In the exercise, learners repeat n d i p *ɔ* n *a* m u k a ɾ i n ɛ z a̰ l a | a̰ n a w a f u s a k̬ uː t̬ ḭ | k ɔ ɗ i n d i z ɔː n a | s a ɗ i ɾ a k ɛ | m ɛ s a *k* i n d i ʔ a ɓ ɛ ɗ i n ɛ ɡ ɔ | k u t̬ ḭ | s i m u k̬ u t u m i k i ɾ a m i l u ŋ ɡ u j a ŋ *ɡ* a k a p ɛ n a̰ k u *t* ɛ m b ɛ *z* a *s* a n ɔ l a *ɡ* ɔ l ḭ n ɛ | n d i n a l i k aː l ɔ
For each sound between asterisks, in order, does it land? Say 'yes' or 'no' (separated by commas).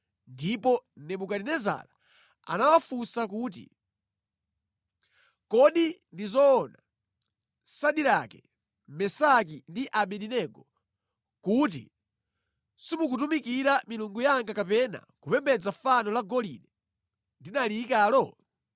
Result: yes, no, yes, yes, no, no, no, yes